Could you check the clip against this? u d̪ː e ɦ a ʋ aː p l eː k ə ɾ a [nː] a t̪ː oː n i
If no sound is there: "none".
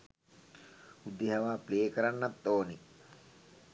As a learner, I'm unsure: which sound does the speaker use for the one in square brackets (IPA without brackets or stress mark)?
nː